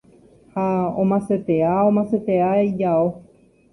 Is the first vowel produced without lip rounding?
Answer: yes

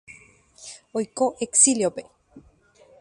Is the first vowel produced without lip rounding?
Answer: no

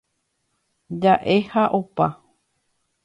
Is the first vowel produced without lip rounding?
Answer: yes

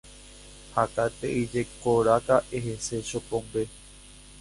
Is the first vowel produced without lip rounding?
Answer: yes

